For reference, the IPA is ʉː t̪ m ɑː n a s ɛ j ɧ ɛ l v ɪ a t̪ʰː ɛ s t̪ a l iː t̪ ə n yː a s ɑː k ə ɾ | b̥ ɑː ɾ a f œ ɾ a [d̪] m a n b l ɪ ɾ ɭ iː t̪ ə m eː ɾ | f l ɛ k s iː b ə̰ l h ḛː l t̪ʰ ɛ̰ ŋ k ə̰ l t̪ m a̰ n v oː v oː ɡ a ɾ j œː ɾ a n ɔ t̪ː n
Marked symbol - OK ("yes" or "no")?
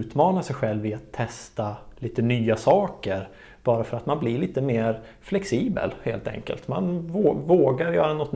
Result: no